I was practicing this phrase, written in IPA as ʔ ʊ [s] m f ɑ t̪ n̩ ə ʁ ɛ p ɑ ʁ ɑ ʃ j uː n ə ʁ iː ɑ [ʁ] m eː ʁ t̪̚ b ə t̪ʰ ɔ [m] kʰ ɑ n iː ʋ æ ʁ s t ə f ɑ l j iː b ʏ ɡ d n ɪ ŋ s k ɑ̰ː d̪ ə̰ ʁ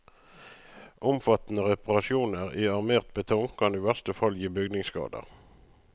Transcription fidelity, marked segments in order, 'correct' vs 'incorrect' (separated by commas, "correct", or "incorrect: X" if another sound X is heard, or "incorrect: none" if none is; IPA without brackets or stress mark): incorrect: none, correct, incorrect: ŋ